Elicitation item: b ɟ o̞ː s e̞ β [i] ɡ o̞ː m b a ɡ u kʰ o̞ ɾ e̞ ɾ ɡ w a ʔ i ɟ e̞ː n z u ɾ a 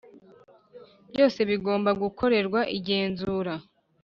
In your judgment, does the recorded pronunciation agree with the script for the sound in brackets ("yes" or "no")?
yes